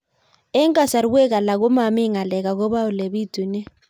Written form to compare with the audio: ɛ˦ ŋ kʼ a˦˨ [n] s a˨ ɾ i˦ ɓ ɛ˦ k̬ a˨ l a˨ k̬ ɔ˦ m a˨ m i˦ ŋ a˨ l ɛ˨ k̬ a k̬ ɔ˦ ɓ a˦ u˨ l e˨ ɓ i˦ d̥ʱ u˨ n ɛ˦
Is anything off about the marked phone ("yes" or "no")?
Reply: yes